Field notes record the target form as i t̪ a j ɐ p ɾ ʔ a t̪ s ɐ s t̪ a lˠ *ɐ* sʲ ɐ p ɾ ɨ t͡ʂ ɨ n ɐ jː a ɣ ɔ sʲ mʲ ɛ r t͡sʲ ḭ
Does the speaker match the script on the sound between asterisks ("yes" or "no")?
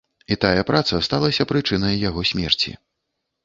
yes